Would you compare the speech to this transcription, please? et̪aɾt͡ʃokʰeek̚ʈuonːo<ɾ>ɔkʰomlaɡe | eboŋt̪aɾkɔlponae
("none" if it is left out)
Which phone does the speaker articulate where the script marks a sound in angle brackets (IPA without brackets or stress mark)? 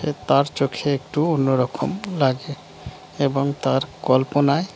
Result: ɾ